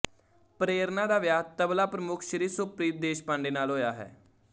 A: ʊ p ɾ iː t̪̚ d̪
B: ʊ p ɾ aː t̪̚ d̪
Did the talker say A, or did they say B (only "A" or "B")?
A